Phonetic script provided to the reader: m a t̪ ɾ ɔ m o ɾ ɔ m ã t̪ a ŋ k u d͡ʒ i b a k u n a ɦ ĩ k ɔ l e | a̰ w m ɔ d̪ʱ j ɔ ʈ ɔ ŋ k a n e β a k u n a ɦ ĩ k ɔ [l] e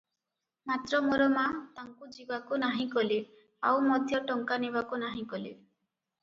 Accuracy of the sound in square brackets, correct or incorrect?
correct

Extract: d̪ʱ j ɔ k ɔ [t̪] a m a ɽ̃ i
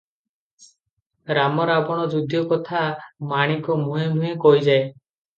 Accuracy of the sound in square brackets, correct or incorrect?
incorrect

